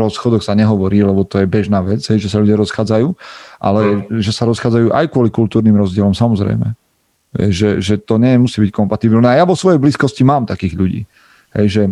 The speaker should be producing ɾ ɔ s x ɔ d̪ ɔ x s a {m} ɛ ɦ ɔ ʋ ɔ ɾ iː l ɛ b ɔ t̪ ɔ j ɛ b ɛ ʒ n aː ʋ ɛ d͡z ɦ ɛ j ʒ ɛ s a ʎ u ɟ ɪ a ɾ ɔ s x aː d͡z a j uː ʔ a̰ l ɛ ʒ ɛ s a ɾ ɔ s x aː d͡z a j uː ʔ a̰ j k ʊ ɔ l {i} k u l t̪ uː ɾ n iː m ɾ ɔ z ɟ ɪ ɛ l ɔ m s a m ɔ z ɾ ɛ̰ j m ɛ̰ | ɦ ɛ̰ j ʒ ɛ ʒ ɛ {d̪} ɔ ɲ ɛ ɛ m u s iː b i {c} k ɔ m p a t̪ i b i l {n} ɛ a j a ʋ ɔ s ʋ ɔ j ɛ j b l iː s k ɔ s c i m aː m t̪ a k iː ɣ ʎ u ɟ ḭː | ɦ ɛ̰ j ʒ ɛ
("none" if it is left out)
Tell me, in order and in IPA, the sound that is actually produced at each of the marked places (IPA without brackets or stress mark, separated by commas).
ɲ, i, t̪, c, n